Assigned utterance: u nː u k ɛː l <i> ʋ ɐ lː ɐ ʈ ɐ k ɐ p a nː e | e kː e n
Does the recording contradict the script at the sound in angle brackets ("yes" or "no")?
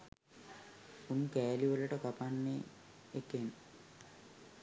no